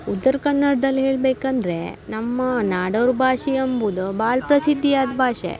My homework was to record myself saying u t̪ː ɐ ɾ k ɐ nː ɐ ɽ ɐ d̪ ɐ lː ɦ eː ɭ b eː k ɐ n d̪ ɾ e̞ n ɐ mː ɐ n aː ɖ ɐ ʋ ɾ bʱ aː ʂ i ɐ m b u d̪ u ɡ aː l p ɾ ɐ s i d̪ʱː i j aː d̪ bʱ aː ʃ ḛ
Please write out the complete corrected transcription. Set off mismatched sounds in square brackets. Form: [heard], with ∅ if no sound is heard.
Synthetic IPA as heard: u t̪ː ɐ ɾ k ɐ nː ɐ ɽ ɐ d̪ ɐ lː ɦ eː ɭ b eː k ɐ n d̪ ɾ e̞ n ɐ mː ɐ n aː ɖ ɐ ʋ ɾ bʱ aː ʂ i ɐ m b u d̪ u [b] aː [ɭ] p ɾ ɐ s i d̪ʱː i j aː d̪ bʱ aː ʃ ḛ